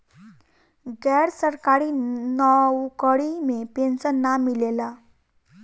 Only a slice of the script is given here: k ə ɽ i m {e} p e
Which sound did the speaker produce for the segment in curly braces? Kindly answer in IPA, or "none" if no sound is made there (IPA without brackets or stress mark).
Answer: e